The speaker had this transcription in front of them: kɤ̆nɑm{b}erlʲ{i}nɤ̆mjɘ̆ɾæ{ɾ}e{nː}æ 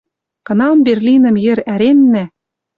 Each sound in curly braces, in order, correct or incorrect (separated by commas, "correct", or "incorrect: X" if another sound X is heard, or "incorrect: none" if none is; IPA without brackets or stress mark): correct, correct, correct, correct